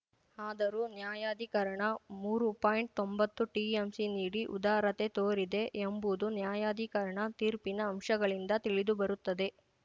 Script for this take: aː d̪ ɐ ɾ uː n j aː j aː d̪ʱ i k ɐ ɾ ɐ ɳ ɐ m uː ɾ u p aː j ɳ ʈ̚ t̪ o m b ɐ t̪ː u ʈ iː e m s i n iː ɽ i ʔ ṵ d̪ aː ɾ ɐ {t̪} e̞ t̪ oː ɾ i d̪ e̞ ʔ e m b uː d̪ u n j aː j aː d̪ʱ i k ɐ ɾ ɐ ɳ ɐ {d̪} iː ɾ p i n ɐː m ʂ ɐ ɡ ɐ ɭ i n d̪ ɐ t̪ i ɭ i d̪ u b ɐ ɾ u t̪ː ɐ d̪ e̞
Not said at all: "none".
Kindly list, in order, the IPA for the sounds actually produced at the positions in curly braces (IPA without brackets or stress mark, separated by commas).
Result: t̪, t̪